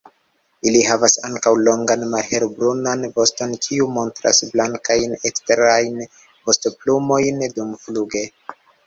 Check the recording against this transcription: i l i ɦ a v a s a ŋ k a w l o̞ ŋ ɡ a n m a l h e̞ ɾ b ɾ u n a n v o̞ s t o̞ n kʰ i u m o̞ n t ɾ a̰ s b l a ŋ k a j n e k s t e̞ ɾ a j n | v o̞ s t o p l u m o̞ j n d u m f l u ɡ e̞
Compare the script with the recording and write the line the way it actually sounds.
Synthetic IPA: i l i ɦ a v a s a ŋ k a w l o̞ ŋ ɡ a n m a l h e̞ ɾ b ɾ u n a n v o̞ s t o̞ n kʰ i u m o̞ n t ɾ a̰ s b l a ŋ k a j n e k s t e̞ ɾ a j n | v o̞ s t o p l u m o̞ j n d u m f l u ɡ e̞